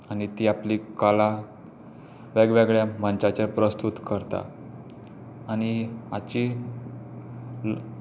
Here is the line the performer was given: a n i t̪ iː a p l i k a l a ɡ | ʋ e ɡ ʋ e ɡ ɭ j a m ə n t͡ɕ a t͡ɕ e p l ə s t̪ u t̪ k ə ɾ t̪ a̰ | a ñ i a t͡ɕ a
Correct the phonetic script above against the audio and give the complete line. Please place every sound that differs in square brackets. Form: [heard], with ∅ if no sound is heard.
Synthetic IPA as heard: a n i t̪ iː a p l i k a l a [∅] | ʋ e ɡ ʋ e ɡ ɭ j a m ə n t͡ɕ a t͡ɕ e p [ɾ] ə s t̪ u t̪ k ə ɾ t̪ a̰ | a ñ i a t͡ɕ [i]